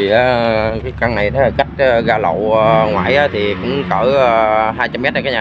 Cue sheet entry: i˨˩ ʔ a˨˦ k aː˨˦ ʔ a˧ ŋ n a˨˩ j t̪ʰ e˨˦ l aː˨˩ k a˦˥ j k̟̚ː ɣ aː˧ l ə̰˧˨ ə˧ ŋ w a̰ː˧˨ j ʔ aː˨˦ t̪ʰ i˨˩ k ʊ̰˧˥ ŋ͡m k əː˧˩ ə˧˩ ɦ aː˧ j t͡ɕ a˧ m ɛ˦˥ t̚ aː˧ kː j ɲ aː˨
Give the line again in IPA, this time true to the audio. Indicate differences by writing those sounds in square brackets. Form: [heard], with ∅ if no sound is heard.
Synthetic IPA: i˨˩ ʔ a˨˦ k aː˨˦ [k] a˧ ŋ n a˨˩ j t̪ʰ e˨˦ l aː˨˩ k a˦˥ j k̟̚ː ɣ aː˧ l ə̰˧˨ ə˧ ŋ w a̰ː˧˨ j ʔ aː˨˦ t̪ʰ i˨˩ k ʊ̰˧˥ ŋ͡m k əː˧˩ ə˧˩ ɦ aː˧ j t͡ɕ a˧ m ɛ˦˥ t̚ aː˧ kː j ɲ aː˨